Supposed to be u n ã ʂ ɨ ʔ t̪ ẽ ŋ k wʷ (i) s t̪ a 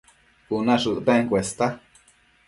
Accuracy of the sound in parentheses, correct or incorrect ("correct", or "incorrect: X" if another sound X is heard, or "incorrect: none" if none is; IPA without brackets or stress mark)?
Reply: incorrect: e